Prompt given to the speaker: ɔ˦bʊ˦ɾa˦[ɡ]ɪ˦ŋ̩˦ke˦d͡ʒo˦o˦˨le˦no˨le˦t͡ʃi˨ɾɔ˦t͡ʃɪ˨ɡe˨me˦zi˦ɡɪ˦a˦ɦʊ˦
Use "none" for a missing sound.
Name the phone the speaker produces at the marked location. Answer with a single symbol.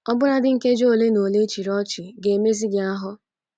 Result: d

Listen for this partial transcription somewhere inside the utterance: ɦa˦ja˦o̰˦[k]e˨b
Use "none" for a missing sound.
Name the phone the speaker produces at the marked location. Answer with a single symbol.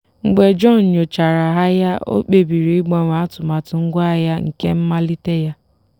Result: k͡p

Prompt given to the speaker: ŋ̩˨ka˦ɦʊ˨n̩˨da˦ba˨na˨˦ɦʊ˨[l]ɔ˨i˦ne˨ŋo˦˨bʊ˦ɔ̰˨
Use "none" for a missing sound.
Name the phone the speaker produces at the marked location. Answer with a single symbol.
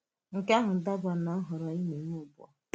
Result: ɾ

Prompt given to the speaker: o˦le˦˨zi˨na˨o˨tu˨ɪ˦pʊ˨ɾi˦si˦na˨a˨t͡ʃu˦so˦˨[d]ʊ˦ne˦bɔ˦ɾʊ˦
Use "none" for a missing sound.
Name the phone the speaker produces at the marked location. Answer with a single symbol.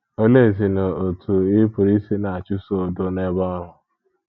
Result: d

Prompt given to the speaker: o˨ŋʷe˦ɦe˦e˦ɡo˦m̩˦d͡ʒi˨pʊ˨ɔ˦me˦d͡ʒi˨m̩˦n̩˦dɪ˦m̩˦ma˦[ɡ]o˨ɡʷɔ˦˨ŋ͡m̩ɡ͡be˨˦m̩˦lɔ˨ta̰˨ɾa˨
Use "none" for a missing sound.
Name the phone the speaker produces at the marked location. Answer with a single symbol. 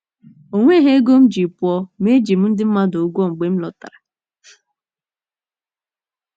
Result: d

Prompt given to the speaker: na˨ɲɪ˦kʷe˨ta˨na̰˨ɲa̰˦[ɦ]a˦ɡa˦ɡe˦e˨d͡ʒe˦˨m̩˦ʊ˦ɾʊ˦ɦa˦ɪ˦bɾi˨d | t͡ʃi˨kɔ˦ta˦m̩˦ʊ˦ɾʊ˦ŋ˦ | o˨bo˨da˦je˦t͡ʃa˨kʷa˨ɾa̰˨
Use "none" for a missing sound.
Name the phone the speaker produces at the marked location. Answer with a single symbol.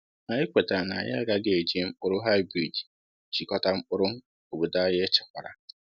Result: none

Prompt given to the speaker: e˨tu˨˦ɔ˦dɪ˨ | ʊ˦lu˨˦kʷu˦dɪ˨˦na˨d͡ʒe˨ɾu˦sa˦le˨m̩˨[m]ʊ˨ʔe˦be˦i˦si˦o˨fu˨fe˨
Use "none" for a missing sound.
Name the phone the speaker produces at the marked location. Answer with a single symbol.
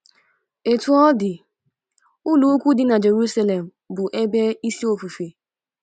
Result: b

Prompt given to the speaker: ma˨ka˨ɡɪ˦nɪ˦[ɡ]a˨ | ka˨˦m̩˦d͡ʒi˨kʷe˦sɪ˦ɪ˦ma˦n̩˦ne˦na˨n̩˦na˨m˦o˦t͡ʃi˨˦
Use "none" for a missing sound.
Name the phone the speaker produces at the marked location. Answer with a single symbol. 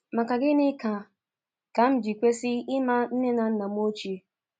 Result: k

